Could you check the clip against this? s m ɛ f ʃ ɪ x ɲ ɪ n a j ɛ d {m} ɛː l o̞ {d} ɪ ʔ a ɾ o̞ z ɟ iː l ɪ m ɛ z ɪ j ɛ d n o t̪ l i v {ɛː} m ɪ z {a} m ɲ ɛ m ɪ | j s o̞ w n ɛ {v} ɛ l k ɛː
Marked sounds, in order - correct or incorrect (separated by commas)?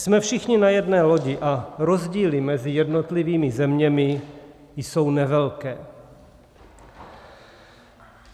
incorrect, incorrect, incorrect, incorrect, correct